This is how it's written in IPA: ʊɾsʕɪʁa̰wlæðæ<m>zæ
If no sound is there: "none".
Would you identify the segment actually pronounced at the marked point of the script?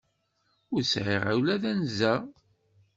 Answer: n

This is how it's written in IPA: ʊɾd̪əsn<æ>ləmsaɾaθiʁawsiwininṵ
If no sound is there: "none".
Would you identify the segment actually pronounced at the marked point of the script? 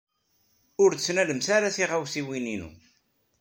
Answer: æ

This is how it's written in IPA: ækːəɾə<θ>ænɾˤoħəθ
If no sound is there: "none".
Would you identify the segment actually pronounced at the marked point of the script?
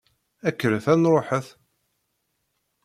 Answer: θ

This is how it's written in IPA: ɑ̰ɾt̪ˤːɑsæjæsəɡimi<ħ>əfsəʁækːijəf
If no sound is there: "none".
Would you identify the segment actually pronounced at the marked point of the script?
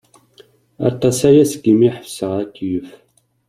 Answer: ħ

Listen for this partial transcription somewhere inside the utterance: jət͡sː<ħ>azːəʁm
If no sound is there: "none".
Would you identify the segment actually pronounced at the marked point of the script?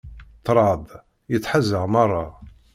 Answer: ħ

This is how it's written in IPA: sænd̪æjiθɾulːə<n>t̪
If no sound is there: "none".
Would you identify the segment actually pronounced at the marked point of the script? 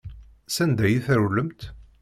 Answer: m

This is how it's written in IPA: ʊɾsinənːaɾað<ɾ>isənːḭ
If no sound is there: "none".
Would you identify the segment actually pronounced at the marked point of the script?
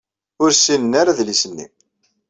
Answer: l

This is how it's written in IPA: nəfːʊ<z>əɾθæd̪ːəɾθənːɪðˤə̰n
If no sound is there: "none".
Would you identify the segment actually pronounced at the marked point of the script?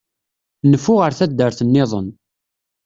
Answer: ʁ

